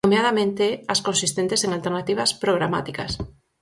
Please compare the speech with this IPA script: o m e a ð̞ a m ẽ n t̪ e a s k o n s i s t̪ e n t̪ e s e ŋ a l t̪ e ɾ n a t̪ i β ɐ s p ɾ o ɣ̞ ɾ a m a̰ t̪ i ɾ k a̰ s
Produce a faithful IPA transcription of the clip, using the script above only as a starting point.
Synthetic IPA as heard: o m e a ð̞ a m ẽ n t̪ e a s k o n s i s t̪ e n t̪ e s e ŋ a l t̪ e ɾ n a t̪ i β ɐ s p ɾ o ɣ̞ ɾ a m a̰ t̪ i k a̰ s